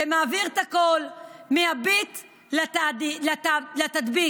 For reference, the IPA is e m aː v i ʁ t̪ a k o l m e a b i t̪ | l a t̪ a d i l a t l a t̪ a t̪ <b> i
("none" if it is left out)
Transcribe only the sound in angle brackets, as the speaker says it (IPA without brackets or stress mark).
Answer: b